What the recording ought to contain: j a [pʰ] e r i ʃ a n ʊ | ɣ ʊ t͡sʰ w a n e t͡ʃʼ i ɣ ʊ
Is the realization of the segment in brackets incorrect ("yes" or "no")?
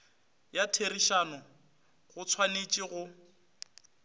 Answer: yes